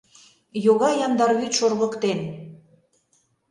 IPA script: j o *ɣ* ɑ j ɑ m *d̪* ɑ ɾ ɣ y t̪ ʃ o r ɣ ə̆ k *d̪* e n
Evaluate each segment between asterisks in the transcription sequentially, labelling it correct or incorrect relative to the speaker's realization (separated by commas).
correct, correct, incorrect